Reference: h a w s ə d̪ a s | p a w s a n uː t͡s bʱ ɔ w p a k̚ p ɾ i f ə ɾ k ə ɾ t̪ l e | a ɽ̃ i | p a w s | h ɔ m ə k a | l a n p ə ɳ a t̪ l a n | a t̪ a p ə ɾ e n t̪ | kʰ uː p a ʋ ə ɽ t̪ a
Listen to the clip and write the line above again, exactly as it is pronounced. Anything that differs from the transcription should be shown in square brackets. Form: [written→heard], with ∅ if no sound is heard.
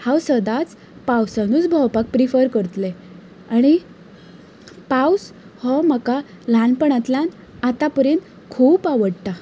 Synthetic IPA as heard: h a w s ə d̪ a [s→t͡s] | p a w s a n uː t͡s bʱ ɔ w p a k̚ p ɾ i f ə ɾ k ə ɾ t̪ l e | a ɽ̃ i | p a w s | h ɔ m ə k a | l a n p ə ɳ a t̪ l a n | a t̪ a p ə ɾ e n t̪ | kʰ uː p a ʋ ə ɽ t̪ a